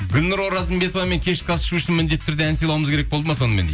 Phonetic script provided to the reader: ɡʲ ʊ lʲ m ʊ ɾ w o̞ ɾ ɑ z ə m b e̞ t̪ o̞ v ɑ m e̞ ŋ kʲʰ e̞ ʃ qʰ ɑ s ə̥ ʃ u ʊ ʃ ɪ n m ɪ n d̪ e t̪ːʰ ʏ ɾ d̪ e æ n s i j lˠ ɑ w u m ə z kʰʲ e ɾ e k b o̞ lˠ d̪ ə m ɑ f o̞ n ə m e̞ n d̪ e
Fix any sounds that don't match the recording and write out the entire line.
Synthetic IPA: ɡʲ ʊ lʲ n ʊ ɾ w o̞ ɾ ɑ z ə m b e̞ t̪ o̞ v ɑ m e̞ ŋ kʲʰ e̞ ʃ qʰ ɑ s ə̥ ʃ u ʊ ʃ ɪ n m ɪ n d̪ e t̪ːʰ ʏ ɾ d̪ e æ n s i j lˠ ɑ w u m ə z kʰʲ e ɾ e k b o̞ lˠ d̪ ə m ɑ s o̞ n ə m e̞ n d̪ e